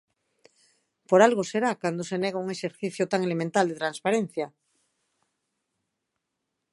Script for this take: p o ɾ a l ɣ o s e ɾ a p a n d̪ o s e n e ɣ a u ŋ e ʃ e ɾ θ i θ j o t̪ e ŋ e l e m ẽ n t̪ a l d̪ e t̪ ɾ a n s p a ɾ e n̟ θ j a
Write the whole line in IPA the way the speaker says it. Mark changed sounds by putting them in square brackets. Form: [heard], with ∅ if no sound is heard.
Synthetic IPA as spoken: p o ɾ a l ɣ o s e ɾ a [k] a n d̪ o s e n e ɣ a u ŋ e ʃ e ɾ θ i θ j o t̪ [a] ŋ e l e m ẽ n t̪ a l d̪ e t̪ ɾ a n s p a ɾ e n̟ θ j a